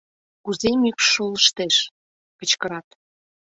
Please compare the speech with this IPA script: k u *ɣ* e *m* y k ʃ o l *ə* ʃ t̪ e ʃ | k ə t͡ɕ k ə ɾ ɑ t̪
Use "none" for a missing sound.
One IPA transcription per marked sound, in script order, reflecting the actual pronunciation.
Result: z, m, ə

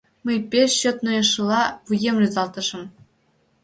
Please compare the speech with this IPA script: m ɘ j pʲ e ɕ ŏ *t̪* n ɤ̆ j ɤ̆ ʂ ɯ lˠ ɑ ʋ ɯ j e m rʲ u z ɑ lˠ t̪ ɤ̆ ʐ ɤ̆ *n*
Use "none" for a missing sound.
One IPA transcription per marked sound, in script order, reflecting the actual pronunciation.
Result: t̪, m

